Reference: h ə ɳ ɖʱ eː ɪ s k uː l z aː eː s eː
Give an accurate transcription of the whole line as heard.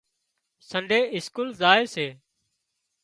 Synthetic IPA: s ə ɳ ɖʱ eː ɪ s k uː l z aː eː s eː